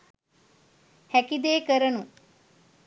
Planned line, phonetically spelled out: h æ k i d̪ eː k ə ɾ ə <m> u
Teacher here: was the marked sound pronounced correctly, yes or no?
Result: no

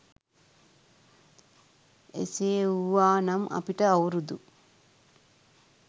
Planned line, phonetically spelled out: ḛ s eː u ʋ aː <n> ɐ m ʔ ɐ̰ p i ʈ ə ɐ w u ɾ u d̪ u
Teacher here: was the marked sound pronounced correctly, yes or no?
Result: yes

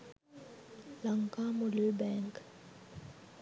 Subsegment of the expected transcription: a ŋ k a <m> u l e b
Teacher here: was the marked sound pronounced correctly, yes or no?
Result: yes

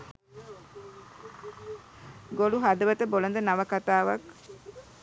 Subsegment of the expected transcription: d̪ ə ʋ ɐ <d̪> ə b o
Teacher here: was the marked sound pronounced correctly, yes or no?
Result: no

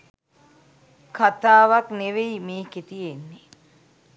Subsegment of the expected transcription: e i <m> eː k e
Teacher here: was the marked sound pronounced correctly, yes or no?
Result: yes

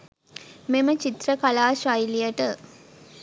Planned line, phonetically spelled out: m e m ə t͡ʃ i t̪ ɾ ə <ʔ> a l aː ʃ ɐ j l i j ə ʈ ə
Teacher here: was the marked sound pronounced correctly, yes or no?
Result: no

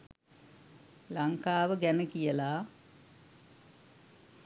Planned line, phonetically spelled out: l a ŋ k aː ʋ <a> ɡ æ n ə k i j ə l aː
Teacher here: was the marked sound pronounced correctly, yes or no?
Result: no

